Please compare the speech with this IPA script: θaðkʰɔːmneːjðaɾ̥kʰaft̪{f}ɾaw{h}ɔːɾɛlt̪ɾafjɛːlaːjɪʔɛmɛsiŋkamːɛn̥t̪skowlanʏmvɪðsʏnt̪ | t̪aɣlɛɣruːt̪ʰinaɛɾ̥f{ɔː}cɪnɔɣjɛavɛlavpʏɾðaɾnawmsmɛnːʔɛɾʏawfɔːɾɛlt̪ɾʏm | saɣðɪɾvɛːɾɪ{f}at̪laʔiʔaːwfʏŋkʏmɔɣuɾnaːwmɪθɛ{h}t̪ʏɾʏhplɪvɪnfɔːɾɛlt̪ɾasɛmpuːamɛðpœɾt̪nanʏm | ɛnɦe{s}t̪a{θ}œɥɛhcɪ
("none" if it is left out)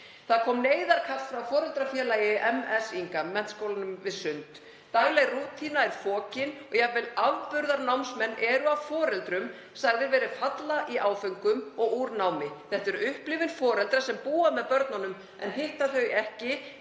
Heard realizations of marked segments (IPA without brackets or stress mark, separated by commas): f, f, ɔː, f, h, h, θ